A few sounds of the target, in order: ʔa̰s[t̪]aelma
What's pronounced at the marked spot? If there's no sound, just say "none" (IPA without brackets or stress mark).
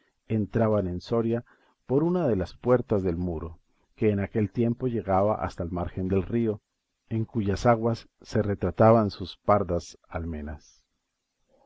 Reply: t̪